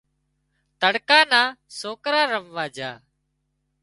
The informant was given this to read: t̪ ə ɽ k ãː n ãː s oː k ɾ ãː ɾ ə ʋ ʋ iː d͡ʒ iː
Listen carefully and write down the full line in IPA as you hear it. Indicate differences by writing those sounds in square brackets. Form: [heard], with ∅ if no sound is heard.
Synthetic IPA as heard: t̪ ə ɽ k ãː n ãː s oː k ɾ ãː ɾ ə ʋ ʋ [aː] d͡ʒ [aː]